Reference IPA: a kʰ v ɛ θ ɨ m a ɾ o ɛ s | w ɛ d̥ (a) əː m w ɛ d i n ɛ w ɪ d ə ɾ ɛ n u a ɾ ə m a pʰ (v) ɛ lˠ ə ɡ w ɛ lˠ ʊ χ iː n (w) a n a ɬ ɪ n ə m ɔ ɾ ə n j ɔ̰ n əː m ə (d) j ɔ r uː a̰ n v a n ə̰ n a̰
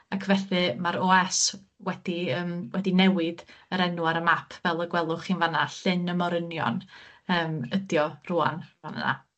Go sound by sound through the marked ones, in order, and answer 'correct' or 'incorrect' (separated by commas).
incorrect, correct, incorrect, correct